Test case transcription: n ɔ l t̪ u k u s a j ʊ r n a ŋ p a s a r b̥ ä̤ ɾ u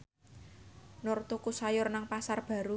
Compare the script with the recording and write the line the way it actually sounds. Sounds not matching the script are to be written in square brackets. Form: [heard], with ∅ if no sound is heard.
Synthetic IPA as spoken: n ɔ [r] t̪ u k u s a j ʊ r n a ŋ p a s a r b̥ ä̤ ɾ u